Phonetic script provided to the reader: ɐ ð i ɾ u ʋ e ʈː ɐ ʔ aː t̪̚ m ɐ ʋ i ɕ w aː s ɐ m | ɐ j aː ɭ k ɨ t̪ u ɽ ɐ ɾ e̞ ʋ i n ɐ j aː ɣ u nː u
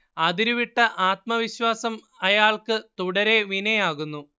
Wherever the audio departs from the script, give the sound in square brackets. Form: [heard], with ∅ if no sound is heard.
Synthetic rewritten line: ɐ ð i ɾ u ʋ [i] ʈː ɐ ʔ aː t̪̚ m ɐ ʋ i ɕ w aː s ɐ m | ɐ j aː ɭ k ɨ t̪ u ɽ ɐ ɾ e̞ ʋ i n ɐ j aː ɣ u nː u